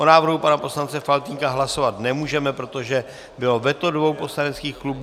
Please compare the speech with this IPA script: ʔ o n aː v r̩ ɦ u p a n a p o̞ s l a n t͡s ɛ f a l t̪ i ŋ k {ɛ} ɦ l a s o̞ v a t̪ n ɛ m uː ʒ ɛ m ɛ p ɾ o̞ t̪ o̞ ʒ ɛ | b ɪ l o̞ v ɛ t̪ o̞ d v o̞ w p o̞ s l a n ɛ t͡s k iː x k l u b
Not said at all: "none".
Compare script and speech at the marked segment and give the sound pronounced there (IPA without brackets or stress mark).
a